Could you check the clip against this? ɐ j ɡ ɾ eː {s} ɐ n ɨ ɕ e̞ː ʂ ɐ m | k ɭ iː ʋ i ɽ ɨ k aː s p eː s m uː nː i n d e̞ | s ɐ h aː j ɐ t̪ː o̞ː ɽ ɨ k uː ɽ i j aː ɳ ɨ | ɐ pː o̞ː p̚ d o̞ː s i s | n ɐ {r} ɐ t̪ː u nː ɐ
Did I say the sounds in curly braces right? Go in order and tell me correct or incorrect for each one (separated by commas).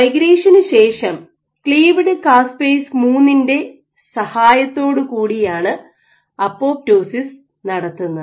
incorrect, incorrect